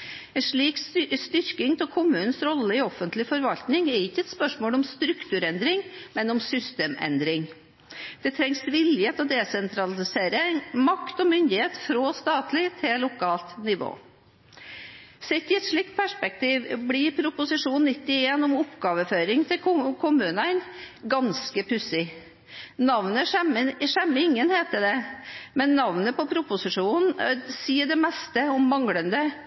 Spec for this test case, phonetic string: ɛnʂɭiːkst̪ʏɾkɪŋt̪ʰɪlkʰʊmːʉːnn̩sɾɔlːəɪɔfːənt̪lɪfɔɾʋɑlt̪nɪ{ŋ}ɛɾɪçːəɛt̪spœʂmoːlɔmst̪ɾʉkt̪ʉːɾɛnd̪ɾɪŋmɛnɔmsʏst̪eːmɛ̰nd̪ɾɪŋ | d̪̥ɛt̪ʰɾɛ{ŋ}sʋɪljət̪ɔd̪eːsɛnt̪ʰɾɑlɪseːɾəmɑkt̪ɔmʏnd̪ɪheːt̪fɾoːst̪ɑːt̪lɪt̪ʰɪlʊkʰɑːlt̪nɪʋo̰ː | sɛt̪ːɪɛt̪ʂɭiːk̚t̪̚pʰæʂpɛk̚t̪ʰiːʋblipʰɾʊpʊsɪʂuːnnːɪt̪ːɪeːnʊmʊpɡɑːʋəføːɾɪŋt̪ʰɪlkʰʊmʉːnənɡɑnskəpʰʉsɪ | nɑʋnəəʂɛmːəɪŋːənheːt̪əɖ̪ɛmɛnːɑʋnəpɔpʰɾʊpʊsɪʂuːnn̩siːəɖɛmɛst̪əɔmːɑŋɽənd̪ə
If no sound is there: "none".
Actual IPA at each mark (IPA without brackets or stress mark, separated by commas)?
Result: ŋ, ŋ